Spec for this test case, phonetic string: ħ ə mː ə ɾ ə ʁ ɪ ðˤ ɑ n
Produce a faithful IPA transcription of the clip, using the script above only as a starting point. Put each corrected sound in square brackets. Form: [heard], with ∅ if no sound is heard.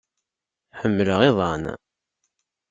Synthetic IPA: ħ ə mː ə [l] ə ʁ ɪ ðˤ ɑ n